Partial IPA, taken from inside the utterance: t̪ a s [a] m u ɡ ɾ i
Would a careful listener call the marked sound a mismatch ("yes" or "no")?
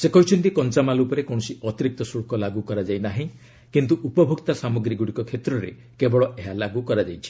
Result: no